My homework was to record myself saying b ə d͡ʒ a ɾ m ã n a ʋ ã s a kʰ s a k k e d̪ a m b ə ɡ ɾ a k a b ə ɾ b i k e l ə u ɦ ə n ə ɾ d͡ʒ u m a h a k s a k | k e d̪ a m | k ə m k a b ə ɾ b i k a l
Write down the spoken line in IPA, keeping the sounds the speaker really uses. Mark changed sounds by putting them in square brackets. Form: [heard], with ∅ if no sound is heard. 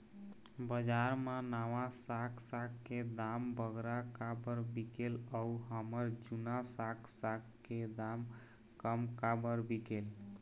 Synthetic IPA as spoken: b ə d͡ʒ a ɾ m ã n a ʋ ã s a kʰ s a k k e d̪ a m b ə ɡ ɾ a k a b ə ɾ b i k e l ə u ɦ ə [m] ə ɾ d͡ʒ u [n] a [s] a k s a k | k e d̪ a m | k ə m k a b ə ɾ b i k [e] l